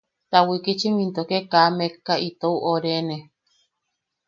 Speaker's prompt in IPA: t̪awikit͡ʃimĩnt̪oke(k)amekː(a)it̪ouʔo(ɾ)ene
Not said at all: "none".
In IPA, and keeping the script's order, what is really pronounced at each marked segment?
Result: k, a, ɾ

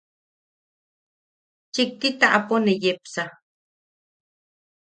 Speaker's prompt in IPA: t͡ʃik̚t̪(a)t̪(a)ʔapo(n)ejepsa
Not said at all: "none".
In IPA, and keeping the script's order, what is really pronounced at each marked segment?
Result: i, a, n

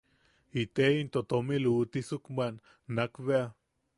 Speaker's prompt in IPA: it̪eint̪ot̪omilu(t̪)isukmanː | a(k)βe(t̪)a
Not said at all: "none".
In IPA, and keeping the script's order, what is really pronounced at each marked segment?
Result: t̪, k, none

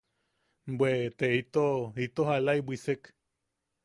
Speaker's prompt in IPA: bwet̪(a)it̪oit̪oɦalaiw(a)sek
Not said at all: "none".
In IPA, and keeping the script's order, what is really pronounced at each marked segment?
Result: e, i

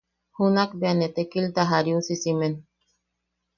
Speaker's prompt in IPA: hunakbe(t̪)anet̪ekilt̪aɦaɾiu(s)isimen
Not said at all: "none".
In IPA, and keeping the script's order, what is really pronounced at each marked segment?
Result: none, s

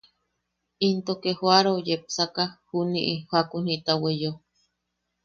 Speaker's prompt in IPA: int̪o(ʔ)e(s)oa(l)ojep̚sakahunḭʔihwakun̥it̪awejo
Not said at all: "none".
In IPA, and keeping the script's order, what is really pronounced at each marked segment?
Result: k, h, ɾ

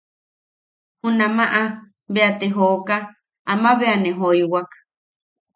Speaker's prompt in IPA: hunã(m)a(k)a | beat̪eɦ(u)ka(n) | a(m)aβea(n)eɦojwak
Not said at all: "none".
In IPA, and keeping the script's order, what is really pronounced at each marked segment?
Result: m, ʔ, o, none, m, n

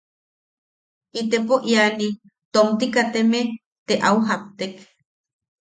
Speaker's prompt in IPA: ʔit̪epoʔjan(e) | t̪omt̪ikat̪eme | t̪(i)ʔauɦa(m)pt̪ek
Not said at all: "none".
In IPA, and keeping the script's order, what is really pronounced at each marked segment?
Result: i, e, none

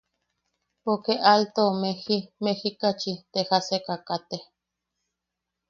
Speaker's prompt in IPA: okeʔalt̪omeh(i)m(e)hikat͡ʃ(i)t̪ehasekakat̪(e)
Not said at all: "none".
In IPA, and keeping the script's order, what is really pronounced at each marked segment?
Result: i, e, i, e

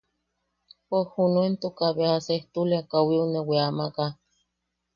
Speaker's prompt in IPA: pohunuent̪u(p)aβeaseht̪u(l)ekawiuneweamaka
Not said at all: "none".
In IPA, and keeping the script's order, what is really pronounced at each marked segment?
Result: k, l

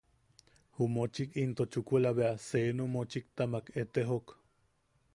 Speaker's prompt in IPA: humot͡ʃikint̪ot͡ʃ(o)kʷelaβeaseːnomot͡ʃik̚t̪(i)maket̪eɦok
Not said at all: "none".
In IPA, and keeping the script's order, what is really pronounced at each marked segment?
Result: u, a

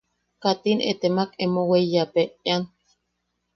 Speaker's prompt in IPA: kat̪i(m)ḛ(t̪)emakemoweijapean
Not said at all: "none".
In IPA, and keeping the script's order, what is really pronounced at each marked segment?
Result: n, t̪

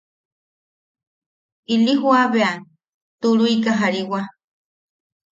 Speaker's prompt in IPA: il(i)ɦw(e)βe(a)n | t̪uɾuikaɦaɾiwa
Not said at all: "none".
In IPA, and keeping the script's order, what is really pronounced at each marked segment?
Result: i, a, a

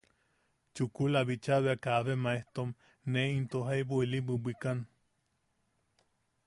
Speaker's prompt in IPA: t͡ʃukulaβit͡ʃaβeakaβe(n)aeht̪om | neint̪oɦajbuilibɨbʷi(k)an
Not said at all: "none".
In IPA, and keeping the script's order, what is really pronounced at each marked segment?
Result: m, k

